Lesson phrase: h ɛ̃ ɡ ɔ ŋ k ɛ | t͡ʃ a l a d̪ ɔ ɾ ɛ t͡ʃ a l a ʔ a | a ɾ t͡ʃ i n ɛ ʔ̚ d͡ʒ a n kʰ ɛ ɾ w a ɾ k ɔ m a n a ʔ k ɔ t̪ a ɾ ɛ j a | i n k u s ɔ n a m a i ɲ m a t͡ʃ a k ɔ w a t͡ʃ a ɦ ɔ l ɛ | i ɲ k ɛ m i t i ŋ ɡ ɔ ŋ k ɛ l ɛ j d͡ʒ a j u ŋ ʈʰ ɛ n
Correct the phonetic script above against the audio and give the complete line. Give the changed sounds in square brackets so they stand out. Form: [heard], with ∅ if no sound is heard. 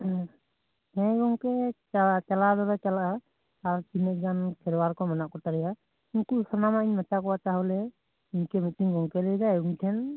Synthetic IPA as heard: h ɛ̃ ɡ ɔ ŋ k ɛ | t͡ʃ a l a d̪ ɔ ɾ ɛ t͡ʃ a l a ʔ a | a ɾ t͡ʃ i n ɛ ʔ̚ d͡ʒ a n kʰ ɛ ɾ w a ɾ k ɔ m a n a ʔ k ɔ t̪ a ɾ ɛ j a | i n k u s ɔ n a m a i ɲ m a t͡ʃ a k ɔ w a t͡ʃ a ɦ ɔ l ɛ | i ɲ k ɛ m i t i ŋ ɡ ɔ ŋ k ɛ l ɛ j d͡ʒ a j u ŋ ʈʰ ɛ n